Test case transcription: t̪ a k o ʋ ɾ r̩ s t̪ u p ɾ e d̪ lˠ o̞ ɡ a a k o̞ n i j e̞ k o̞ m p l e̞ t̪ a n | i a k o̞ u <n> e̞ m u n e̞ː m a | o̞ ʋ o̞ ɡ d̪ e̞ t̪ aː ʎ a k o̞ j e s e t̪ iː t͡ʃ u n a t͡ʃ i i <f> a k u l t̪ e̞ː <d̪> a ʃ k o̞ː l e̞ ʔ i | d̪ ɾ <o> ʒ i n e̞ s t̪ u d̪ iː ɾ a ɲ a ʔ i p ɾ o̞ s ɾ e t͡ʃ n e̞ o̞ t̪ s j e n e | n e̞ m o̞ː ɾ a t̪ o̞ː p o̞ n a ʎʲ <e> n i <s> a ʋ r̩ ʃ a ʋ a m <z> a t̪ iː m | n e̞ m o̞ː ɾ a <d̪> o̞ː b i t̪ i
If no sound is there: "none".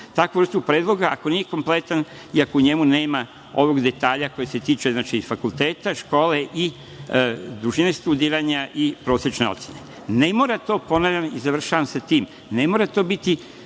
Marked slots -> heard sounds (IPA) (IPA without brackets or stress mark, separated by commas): ɲ, f, t̪, u, a, z, s, t̪